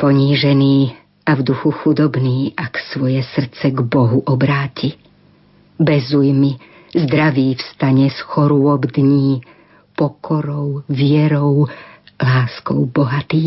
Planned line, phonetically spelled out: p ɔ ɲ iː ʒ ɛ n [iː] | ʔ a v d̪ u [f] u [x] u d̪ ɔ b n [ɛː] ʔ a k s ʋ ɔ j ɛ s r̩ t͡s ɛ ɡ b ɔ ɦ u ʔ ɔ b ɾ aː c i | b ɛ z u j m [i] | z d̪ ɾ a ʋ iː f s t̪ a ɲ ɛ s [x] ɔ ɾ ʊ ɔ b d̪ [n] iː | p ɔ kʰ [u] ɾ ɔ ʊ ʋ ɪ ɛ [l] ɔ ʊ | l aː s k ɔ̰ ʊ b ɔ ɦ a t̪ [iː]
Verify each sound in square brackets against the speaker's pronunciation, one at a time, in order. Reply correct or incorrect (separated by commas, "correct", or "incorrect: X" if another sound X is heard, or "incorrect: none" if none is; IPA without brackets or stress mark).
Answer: correct, incorrect: x, correct, incorrect: iː, correct, correct, incorrect: ɲ, incorrect: ɔ, incorrect: ɾ, correct